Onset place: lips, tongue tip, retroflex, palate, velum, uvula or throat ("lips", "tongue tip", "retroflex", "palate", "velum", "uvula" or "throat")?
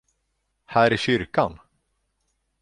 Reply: throat